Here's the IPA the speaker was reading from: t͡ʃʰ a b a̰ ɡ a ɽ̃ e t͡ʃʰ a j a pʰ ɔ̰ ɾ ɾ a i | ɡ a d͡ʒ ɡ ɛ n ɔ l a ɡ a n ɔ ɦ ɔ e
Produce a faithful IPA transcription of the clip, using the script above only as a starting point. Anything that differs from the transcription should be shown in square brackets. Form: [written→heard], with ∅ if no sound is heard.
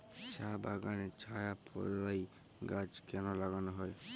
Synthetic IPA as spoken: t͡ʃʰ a b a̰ ɡ a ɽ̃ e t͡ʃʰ a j a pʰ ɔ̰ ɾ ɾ a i | ɡ a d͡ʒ [ɡ→k] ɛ n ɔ l a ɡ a n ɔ ɦ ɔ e